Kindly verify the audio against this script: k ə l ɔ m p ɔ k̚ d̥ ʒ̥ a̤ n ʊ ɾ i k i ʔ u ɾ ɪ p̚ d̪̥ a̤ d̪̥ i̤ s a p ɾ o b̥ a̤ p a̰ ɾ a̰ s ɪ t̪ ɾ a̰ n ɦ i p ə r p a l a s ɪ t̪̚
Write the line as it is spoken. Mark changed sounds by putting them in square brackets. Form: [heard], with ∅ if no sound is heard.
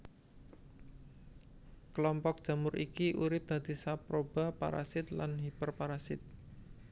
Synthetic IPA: k ə l ɔ m p ɔ k̚ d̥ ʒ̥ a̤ [m] ʊ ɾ i k i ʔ u ɾ ɪ p̚ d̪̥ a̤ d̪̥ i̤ s a p ɾ o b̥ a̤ p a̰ ɾ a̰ s ɪ t̪ [l] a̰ n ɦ i p ə r p a [ɾ] a s ɪ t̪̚